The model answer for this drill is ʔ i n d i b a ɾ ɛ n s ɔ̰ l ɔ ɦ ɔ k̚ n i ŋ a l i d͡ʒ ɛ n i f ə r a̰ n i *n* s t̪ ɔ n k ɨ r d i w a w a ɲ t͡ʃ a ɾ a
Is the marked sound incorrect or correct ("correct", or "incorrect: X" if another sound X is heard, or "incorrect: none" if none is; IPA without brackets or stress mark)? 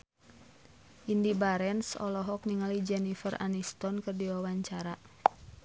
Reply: incorrect: none